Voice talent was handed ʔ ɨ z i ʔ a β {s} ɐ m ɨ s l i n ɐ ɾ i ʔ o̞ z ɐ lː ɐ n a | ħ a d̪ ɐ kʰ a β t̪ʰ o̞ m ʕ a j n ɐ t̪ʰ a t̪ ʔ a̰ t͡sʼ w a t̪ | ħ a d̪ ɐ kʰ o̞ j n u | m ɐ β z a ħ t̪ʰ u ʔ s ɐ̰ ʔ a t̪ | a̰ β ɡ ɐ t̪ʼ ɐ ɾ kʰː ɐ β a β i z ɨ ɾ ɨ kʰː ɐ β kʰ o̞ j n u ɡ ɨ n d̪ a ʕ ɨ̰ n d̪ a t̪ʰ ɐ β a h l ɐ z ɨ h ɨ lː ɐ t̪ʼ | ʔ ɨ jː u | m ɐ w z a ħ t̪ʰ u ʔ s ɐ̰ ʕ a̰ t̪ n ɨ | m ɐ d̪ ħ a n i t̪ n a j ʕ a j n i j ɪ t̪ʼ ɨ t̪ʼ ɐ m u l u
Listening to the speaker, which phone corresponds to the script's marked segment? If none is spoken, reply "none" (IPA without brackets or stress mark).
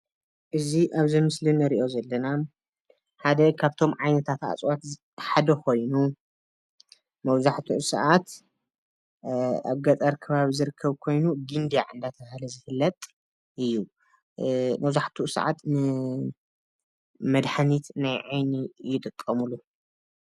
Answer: z